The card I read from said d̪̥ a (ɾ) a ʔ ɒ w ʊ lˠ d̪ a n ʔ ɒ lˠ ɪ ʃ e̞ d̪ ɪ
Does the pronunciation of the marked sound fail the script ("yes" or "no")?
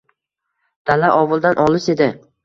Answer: yes